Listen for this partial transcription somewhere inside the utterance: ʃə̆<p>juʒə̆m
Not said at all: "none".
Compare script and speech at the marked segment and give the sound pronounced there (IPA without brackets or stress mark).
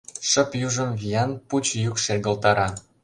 p